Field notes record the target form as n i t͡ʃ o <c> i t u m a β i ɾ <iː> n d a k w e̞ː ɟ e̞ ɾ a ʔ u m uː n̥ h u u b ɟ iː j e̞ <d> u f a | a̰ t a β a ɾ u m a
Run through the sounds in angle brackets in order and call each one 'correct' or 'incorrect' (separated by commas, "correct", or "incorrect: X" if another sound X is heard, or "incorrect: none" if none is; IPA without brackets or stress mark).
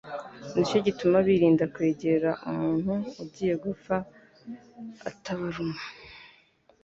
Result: incorrect: ɟ, correct, incorrect: ɡ